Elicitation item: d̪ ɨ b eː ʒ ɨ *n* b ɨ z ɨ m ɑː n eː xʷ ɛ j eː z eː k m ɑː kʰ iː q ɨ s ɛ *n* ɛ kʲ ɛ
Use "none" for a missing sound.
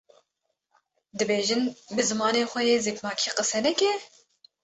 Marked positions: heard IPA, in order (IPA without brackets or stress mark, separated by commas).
n, n